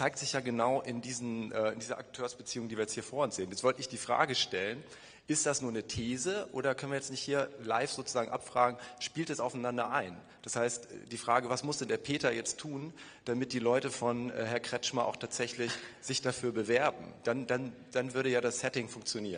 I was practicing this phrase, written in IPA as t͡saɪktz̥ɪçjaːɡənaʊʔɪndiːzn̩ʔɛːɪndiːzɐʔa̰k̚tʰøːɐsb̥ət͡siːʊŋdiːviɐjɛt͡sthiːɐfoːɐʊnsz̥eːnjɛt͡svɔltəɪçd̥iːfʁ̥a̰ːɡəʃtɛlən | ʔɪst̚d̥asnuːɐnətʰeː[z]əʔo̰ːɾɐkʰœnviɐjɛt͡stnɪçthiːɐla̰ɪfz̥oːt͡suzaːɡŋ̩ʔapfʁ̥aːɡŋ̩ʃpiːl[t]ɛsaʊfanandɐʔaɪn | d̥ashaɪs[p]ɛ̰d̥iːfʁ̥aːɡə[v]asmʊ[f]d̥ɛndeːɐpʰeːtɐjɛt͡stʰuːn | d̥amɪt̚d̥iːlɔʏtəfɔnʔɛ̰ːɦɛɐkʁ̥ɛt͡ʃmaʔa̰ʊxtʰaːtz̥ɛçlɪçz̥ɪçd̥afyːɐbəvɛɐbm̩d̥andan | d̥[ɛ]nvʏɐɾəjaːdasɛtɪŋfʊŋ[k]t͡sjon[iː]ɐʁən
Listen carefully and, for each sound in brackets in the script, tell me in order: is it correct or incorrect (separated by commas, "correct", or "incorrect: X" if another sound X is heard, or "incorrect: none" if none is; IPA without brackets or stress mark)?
correct, correct, incorrect: t, correct, incorrect: s, incorrect: a, correct, correct